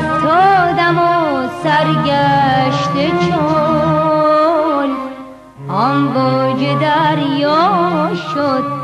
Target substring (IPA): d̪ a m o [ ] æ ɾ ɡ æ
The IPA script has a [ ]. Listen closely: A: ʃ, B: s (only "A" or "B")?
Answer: B